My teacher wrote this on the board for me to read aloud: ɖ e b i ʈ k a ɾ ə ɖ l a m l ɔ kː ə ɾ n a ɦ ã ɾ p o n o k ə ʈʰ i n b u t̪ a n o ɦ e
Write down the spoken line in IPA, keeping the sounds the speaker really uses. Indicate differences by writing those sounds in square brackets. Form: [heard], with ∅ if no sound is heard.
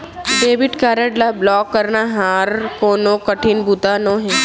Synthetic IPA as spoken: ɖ e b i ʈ k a ɾ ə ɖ l a [b] l ɔ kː ə ɾ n a ɦ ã ɾ [k] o n o k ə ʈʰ i n b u t̪ a n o ɦ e